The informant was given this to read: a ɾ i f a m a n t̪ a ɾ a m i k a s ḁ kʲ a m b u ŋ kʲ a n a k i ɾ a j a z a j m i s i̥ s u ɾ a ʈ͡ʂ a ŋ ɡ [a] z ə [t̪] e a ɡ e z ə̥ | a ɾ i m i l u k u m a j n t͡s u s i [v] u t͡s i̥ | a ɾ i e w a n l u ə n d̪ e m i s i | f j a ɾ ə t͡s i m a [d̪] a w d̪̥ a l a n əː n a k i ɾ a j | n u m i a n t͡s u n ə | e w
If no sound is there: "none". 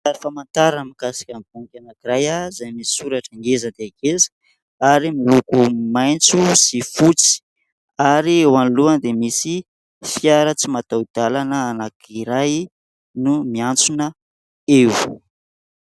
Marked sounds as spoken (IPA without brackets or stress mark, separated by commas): e, d̪, f, t̪